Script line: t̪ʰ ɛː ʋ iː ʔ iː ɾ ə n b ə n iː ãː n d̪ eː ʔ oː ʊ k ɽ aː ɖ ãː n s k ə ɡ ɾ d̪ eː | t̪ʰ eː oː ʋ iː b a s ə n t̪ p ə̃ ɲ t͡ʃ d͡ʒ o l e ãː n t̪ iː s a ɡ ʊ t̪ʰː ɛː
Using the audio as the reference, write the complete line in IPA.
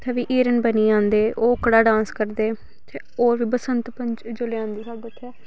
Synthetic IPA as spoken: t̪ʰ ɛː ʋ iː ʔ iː ɾ ə n b ə n iː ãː n d̪ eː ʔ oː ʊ k ɽ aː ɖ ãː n s k ə ɾ d̪ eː | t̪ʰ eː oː ʋ iː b ə s ə n t̪ p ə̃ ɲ t͡ʃ d͡ʒ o l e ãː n d̪ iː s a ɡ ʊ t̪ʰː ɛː